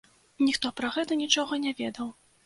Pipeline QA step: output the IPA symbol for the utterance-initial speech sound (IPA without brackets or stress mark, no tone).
nʲ